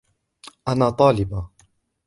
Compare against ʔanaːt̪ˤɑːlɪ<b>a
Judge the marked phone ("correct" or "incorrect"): correct